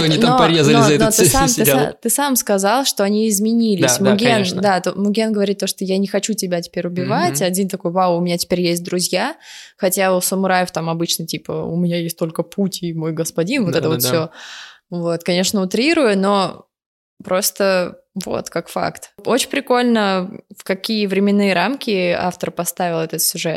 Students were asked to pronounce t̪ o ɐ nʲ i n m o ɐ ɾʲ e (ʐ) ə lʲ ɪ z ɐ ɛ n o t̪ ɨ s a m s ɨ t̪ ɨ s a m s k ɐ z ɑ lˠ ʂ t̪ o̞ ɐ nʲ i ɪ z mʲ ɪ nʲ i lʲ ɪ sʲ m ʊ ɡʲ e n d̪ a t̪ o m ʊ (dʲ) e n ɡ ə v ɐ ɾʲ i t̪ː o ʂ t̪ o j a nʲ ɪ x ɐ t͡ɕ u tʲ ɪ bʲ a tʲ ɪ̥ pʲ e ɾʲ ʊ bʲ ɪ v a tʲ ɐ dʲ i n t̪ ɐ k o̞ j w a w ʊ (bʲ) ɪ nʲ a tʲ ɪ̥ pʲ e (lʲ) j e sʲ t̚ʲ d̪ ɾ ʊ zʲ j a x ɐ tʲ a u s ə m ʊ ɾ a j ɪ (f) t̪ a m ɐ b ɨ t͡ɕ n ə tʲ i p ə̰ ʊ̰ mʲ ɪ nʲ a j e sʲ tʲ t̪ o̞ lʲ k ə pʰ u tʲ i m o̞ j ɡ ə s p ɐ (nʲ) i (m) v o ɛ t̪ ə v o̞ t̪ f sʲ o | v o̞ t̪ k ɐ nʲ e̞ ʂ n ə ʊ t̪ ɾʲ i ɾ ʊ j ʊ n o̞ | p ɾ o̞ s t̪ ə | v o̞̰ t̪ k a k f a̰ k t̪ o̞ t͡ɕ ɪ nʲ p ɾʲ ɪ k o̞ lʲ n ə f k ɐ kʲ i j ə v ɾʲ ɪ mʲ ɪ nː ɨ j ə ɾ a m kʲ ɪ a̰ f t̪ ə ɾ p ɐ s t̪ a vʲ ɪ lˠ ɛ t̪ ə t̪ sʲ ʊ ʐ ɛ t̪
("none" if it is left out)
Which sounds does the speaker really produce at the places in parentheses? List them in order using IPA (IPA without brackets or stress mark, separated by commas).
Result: z, ɡʲ, mʲ, ɾʲ, f, dʲ, n